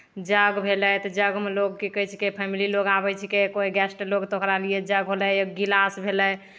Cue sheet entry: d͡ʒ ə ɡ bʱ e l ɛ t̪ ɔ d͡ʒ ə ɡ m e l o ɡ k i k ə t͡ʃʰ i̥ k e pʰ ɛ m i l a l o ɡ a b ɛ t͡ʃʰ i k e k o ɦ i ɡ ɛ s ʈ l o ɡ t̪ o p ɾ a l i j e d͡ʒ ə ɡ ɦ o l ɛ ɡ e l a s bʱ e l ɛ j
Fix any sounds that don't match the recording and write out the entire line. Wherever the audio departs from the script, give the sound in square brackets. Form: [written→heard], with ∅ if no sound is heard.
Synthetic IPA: d͡ʒ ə ɡ bʱ e l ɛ t̪ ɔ d͡ʒ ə ɡ m e l o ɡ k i k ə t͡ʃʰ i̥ k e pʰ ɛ m i l [a→i] l o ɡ a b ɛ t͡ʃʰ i k e k o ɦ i ɡ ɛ s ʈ l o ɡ t̪ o [p→k] ɾ a l i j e d͡ʒ ə ɡ ɦ o l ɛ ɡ [e→i] l a s bʱ e l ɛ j